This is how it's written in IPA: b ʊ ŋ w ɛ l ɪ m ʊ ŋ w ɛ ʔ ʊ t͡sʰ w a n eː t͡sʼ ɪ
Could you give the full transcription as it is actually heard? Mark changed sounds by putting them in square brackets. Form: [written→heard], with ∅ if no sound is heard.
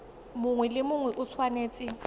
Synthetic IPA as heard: [b→m] ʊ ŋ w ɛ l ɪ m ʊ ŋ w ɛ ʔ ʊ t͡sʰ w a n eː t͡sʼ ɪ